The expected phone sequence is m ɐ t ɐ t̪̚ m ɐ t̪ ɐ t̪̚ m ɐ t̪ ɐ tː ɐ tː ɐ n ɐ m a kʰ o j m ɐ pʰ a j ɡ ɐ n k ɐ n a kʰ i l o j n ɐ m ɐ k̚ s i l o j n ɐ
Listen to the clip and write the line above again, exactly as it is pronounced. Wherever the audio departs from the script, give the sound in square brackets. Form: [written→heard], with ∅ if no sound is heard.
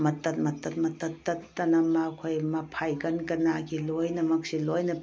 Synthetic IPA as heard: m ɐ t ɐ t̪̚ m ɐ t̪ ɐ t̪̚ m ɐ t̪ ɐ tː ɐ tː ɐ n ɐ m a kʰ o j m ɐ pʰ a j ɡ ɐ n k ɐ n a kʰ i l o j n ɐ m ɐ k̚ s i l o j n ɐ